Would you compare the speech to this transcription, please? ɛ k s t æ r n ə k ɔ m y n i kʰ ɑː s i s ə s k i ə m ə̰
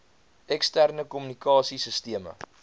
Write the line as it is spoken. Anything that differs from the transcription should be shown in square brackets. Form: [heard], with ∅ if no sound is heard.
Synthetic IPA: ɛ k s t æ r n ə k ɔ m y n i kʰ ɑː s i s ə s [t] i ə m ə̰